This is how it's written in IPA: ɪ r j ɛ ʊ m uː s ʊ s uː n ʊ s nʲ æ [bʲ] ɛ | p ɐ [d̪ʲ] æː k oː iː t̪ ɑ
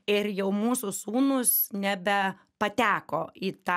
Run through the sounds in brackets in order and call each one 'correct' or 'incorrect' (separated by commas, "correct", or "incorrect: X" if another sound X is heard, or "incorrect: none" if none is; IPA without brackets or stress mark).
correct, incorrect: t̪ʲ